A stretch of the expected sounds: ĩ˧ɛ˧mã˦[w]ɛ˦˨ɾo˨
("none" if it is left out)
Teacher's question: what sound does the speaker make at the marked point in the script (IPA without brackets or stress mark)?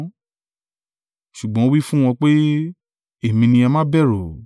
b